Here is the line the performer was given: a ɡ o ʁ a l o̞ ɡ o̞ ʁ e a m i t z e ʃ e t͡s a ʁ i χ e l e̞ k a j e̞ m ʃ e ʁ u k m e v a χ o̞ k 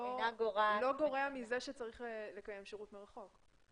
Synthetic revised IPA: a ɡ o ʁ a l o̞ ɡ o̞ ʁ e a m i z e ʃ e t͡s a ʁ i χ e l e̞ k a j e̞ m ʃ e ʁ u t m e ʁ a χ o̞ k

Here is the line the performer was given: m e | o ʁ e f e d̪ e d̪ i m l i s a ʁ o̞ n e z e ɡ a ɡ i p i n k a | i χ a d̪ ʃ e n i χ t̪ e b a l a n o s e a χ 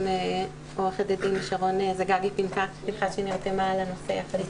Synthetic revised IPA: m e | o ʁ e χ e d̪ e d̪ i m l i ʃ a ʁ o̞ n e z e ɡ a ɡ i p i n k a | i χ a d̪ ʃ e n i ʁ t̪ e m a l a n o s e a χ

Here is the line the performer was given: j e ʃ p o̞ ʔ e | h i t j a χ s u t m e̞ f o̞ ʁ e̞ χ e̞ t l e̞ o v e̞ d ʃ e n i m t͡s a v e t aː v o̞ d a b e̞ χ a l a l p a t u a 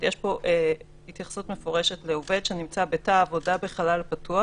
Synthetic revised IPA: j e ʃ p o̞ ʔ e | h i t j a χ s u t m e̞ f o̞ ʁ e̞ ʃ e̞ t l e̞ o v e̞ d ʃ e n i m t͡s a b e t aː v o̞ d a b e̞ χ a l a l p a t u a

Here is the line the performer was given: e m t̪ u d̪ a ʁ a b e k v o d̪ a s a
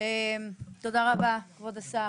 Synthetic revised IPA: e m t̪ o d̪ a ʁ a b a k v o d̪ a s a

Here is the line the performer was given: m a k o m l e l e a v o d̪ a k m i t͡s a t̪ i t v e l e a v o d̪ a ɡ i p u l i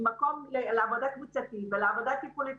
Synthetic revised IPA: m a k o m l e l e a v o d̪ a k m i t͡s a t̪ i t v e l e a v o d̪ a k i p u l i

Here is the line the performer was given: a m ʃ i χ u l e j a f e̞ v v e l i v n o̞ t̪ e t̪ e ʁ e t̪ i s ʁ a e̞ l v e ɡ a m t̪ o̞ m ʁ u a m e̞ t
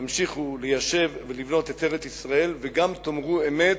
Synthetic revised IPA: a m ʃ i χ u l e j a ʃ e̞ v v e l i v n o̞ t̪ e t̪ e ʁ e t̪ i s ʁ a e̞ l v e ɡ a m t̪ o̞ m ʁ u e m e̞ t

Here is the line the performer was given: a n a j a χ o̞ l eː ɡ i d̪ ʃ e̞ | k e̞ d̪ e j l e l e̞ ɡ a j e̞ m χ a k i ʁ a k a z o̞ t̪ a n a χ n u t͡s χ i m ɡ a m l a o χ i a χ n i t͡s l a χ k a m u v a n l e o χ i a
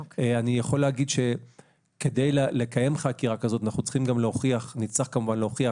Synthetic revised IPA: a n i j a χ o̞ l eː ɡ i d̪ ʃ e̞ | k e̞ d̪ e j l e l e̞ k a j e̞ m χ a k i ʁ a k a z o̞ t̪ a n a χ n u t͡s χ i m ɡ a m l e o χ i a χ n i t͡s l a χ k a m u v a n l e o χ i a

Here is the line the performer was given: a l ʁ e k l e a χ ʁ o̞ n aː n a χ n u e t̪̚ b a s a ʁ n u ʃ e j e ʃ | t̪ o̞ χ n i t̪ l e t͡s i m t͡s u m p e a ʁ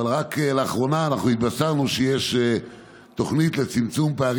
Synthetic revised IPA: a l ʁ a k l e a χ ʁ o̞ n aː n a χ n u i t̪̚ b a s a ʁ n u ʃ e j e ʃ | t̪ o̞ χ n i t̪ l e t͡s i m t͡s u m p e a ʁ

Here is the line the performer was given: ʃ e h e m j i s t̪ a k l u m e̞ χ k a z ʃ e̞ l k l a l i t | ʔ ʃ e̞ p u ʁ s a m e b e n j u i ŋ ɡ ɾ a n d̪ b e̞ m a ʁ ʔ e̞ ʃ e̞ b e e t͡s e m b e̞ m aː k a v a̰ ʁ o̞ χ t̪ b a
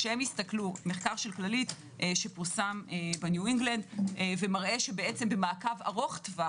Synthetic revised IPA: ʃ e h e m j i s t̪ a k l u m e̞ χ k a ʁ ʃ e̞ l k l a l i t | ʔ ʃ e̞ p u ʁ s a m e b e n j u i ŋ ɡ l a n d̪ v e̞ m a ʁ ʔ e̞ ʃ e̞ b e e t͡s e m b e̞ m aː k a v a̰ ʁ o̞ χ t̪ v a

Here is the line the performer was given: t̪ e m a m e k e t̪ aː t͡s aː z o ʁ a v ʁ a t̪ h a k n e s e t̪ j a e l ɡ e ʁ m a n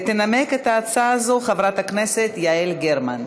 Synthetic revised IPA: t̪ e n a m e k e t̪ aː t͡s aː z o χ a v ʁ a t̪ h a k n e s e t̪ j a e l ɡ e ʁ m a n

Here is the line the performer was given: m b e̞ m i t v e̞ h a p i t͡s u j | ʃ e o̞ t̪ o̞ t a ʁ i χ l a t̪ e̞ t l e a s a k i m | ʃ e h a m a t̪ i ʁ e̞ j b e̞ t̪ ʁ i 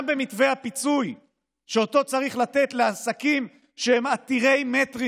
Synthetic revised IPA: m b e̞ m i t v e̞ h a p i t͡s u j | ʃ e o̞ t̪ o̞ t͡s a ʁ i χ l a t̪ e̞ t l e a s a k i m | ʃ e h e m a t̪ i ʁ e̞ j m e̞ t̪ ʁ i

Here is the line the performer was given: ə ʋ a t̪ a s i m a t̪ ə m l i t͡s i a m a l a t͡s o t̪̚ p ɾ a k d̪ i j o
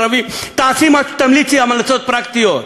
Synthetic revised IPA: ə ʋ i t̪ a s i m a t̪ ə m l i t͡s i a m a l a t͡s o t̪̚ p ɾ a k t̪ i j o

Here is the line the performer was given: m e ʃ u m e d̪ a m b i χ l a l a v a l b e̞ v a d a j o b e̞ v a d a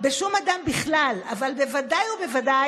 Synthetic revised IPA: b e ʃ u m a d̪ a m b i χ l a l a v a l b e̞ v a d a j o b e̞ v a d a

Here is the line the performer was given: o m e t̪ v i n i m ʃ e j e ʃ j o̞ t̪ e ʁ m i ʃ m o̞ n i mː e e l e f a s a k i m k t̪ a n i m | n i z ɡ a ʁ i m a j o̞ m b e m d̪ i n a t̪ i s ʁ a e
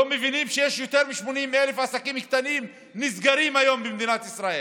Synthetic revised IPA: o m e v i n i m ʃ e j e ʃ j o̞ t̪ e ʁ m i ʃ m o̞ n i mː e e l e f a s a k i m k t̪ a n i m | n i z ɡ a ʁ i m a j o̞ m b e m d̪ i n a t̪ i s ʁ a e

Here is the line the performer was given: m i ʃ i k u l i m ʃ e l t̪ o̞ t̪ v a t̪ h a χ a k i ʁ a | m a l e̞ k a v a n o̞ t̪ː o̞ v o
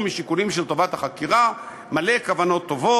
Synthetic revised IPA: m i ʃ i k u l i m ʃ e l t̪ o̞ v a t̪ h a χ a k i ʁ a | m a l e̞ k a v a n o̞ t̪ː o̞ v o

